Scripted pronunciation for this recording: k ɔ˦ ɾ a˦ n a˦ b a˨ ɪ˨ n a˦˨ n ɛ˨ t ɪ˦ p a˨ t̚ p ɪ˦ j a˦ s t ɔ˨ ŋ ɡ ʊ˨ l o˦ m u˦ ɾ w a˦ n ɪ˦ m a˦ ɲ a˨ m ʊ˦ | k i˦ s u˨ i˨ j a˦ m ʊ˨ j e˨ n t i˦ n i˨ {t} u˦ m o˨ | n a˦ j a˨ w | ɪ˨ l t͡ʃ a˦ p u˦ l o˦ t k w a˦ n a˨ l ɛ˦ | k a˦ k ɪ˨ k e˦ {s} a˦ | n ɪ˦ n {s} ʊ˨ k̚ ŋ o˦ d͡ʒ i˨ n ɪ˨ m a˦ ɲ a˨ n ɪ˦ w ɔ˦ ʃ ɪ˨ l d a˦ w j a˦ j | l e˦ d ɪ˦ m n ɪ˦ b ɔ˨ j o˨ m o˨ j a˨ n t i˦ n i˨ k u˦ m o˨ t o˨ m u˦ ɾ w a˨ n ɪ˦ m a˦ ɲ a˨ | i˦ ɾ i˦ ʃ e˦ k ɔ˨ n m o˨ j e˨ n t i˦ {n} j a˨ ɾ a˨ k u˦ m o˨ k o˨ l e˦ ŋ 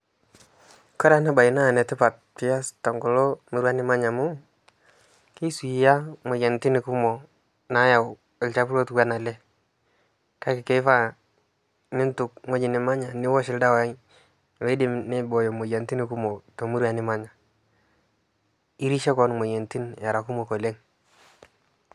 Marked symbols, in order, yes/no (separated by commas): no, no, no, yes